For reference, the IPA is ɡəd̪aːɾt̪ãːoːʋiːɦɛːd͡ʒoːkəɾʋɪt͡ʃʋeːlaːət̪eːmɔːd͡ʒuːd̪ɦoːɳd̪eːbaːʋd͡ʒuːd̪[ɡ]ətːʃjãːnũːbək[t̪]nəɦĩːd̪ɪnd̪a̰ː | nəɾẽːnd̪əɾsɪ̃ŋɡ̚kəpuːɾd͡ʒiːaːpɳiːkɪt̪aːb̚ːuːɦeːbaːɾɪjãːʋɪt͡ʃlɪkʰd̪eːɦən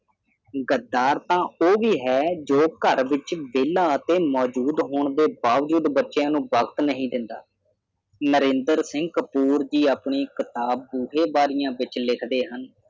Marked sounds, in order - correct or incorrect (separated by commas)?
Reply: incorrect, correct